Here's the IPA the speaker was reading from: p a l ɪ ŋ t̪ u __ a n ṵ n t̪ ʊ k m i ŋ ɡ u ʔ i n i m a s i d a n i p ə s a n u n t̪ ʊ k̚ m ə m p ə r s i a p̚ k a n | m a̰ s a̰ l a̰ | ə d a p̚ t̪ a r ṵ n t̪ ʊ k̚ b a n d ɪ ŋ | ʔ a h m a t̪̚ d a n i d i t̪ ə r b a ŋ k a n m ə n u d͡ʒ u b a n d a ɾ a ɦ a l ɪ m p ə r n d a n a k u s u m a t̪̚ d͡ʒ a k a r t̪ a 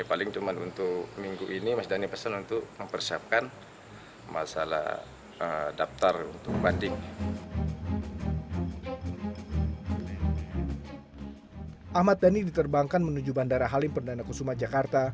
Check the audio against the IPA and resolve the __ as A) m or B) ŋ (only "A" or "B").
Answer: A